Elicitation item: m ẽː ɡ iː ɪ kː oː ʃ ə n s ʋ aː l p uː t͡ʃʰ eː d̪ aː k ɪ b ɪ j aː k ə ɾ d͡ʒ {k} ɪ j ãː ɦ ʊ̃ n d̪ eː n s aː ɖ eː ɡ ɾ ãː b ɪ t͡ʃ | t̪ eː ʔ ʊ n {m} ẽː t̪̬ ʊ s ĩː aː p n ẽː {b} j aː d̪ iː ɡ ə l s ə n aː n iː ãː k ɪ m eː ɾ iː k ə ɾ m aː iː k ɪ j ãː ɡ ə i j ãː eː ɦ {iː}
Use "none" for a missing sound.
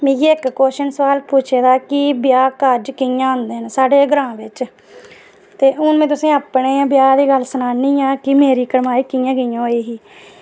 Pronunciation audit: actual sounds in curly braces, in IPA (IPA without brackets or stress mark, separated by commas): k, m, b, iː